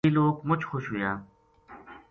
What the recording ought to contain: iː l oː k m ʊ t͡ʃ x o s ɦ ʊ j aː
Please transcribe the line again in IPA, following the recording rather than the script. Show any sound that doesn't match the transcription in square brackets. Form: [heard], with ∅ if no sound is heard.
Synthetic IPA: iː l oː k m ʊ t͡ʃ x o [ʃ] ɦ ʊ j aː